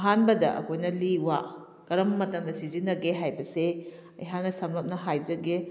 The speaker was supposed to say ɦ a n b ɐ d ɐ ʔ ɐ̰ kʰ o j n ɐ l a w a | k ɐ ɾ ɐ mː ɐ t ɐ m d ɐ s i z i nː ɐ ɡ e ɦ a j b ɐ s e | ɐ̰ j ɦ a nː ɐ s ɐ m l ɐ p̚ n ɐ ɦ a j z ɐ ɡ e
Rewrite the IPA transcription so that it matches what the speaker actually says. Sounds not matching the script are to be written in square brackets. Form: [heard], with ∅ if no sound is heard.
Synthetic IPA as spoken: ɦ a n b ɐ d ɐ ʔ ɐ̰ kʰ o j n ɐ l [i] w a | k ɐ ɾ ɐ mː ɐ t ɐ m d ɐ s i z i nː ɐ ɡ e ɦ a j b ɐ s e | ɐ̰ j ɦ a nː ɐ s ɐ m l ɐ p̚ n ɐ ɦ a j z ɐ ɡ e

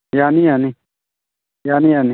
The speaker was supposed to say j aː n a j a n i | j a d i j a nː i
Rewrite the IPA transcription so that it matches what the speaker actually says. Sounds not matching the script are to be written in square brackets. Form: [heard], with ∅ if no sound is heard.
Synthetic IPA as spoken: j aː n [i] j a n i | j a [n] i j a [n] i

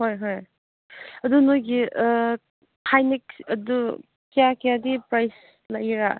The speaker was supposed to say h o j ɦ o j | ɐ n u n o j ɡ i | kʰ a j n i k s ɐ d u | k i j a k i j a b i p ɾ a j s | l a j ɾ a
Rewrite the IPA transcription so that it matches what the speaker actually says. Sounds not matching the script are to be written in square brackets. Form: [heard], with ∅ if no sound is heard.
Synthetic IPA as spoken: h o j ɦ o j | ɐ [d] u n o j ɡ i | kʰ a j n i k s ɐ d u | k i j a k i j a [d] i p ɾ a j s | l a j ɾ a

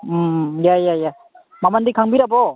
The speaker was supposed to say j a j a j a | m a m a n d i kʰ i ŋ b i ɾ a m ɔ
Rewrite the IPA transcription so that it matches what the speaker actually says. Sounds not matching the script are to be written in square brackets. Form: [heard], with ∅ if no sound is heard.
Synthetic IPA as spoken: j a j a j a | m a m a n d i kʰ [a] ŋ b i ɾ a [b] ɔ

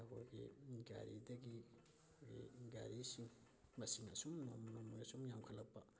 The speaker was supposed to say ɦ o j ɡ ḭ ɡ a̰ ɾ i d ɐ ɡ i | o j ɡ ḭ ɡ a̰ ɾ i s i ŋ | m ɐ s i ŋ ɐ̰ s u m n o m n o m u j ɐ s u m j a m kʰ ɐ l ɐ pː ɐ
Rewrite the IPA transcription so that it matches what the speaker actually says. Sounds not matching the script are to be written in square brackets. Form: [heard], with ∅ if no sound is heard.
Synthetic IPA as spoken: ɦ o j ɡ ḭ ɡ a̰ ɾ i d ɐ ɡ i | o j ɡ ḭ ɡ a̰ ɾ i s i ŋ | m ɐ s i ŋ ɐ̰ s u m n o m n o m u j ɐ s u m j a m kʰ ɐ l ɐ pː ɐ

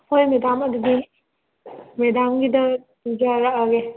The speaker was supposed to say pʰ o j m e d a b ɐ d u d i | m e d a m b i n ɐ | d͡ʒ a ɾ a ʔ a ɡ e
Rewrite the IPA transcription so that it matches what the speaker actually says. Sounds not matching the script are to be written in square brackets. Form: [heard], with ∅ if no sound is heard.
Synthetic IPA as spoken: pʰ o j m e d a [m] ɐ d u d i | m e d a m [ɡ] i [d] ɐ | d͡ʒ a ɾ a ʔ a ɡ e

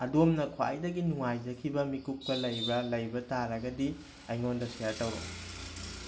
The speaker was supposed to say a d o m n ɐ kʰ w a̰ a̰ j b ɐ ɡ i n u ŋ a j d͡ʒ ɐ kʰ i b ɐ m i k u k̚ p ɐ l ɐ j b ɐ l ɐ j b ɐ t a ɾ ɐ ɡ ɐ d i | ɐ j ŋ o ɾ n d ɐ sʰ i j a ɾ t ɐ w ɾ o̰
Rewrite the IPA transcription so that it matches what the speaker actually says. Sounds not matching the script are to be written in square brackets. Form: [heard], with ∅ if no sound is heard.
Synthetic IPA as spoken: [ɐ] d o m n ɐ kʰ w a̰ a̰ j [d] ɐ ɡ i n u ŋ a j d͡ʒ ɐ kʰ i b ɐ m i k u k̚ p ɐ l ɐ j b ɐ l ɐ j b ɐ t a ɾ ɐ ɡ ɐ d i | ɐ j ŋ o [∅] n d ɐ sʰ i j a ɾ t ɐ w ɾ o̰

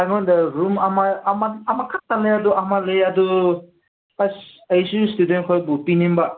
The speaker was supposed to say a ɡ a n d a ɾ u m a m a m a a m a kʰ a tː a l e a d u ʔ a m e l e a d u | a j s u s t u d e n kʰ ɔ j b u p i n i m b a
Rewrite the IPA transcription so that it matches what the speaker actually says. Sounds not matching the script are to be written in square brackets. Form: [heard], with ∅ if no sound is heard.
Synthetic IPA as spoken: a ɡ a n d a ɾ u m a m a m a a m a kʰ a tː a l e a d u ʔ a m [a] l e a d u | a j s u s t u d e n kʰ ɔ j b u p i n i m b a

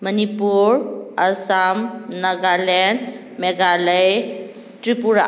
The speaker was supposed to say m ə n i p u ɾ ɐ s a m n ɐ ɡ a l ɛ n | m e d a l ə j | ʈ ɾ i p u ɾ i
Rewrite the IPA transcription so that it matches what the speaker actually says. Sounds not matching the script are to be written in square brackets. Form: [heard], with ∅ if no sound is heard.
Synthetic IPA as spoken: m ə n i p u ɾ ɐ s a m n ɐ ɡ a l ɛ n | m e [ɡ] a l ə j | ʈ ɾ i p u ɾ [a]

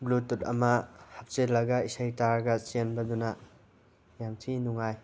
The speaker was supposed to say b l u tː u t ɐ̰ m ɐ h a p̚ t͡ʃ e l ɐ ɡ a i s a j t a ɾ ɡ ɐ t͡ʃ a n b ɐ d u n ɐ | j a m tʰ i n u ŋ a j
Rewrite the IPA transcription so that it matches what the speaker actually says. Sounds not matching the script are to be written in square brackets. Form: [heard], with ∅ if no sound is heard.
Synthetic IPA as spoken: b l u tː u t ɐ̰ m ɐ h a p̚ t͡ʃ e l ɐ ɡ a i s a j t a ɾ ɡ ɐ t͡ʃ [e] n b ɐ d u n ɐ | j a m tʰ i n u ŋ a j

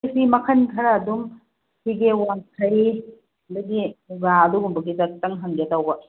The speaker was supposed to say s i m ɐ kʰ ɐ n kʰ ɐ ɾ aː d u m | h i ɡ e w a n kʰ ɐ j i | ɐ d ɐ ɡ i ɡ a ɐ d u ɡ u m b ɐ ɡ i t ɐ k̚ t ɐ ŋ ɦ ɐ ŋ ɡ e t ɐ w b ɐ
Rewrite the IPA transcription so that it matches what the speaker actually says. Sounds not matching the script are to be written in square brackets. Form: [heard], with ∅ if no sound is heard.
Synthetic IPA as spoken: s i m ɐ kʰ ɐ n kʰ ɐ ɾ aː d u m | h i ɡ e w a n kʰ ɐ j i | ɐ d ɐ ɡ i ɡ a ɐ d u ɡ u m b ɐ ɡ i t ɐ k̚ t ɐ ŋ ɦ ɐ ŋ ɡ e t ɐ w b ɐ

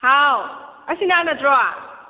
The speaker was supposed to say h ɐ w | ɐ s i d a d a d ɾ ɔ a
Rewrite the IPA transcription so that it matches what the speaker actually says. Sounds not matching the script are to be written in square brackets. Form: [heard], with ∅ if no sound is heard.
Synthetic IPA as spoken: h [a] w | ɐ s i [n] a [n] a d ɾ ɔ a

